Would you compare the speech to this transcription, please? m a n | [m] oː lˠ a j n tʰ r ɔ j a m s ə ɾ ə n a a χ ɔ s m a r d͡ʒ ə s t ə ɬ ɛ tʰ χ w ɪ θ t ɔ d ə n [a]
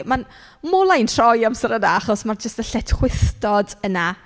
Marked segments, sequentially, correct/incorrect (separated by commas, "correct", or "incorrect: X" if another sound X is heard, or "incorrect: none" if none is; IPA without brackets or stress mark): correct, correct